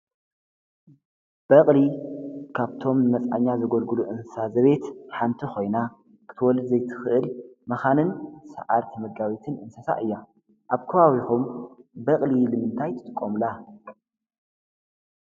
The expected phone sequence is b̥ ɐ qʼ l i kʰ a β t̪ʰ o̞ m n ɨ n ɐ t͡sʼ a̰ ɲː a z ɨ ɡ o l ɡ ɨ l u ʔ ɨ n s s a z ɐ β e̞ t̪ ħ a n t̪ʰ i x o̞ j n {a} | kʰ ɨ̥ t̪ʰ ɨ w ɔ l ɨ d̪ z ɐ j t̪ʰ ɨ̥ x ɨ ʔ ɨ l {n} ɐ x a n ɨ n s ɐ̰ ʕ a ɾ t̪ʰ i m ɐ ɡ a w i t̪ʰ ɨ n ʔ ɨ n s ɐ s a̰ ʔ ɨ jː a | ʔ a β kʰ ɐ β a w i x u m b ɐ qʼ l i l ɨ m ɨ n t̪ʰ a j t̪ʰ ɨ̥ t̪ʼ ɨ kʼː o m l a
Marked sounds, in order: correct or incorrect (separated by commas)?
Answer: correct, incorrect